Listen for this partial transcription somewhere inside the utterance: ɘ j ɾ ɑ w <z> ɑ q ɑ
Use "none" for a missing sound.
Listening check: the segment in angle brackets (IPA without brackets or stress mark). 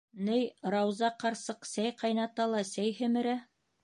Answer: z